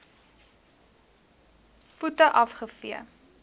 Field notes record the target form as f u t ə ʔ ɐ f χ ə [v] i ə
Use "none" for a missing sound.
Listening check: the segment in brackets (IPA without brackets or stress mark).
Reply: f